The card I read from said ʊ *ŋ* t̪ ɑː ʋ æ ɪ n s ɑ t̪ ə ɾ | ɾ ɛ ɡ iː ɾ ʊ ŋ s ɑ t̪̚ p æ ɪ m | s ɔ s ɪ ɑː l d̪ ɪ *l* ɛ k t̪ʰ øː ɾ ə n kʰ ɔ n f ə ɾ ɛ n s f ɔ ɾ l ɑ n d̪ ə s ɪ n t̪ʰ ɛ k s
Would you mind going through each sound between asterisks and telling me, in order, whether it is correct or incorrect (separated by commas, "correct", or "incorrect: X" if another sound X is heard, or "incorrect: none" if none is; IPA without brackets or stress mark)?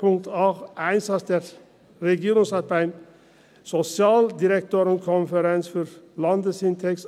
correct, incorrect: ɾ